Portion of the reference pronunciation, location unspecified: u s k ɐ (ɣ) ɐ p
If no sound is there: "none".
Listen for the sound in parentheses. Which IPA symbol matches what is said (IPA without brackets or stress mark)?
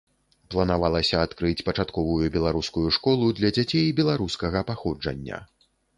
ɣ